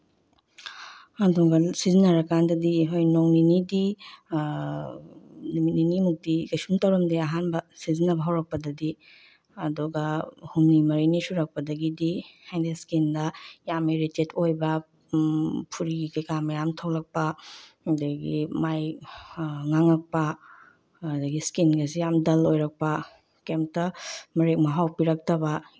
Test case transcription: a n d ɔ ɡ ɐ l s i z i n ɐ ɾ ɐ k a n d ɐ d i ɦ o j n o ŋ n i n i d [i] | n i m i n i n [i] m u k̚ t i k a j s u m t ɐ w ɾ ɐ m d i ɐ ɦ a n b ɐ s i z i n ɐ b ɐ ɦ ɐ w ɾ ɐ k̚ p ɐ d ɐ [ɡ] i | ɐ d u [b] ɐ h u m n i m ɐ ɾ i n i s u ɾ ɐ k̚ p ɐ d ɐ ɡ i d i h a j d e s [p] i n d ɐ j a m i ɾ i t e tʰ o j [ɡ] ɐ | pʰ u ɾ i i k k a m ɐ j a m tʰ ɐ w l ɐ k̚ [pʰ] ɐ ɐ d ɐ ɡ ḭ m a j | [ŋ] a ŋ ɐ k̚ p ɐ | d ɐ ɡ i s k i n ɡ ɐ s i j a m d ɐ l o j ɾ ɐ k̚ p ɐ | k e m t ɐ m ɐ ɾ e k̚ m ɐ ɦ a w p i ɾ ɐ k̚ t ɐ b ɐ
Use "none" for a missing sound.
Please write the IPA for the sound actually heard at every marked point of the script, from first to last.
i, i, d, ɡ, k, b, p, ŋ

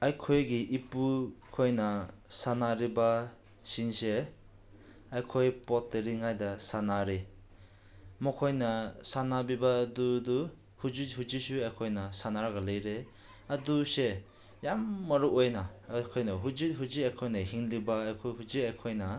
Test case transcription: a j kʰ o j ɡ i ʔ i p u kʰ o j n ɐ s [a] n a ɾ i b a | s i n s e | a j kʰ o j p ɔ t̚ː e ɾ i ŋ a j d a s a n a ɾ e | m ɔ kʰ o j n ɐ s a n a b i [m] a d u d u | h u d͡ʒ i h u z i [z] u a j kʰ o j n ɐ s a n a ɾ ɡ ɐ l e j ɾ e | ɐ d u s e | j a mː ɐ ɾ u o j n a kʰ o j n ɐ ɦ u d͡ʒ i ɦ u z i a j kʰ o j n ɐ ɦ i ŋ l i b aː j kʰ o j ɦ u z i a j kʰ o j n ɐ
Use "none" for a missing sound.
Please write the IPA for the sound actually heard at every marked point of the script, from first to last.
a, b, s

